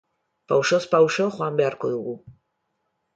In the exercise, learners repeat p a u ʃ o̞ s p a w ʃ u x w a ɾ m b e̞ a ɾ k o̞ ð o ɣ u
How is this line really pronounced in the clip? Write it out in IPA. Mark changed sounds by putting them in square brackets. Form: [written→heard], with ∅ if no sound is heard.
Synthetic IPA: p a [u→w] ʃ o̞ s p a w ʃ [u→o] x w a [ɾ→∅] m b e̞ a ɾ k o̞ ð [o→u] ɣ u